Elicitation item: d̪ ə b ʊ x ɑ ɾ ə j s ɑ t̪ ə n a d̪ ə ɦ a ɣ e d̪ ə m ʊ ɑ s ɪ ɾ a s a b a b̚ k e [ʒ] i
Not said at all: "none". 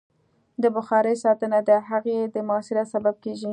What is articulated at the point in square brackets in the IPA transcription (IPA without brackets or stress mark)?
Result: ʒ